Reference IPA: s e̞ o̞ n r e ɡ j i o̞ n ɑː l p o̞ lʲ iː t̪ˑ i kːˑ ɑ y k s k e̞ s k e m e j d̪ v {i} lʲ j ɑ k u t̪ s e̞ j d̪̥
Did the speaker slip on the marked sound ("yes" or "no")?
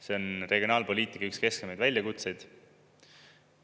yes